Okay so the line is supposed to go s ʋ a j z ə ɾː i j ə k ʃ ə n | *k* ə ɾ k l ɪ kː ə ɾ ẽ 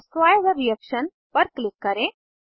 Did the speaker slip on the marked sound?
yes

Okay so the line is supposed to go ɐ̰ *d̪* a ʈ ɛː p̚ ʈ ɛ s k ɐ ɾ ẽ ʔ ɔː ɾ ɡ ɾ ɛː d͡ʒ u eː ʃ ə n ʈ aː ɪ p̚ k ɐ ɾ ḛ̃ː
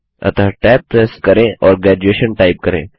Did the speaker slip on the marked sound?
yes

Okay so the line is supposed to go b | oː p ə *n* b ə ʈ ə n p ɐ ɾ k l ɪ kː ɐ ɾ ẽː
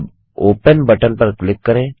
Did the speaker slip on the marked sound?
no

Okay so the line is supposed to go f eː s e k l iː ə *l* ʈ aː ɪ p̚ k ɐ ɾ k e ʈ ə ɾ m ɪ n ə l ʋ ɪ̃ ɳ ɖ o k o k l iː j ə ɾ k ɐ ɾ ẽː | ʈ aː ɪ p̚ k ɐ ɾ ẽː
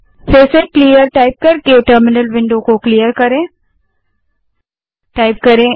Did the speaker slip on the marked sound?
yes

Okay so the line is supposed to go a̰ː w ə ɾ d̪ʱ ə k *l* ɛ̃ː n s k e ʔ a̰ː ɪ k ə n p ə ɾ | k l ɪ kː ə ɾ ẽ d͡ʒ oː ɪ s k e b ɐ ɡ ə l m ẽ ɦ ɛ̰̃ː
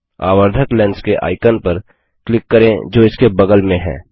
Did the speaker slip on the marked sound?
no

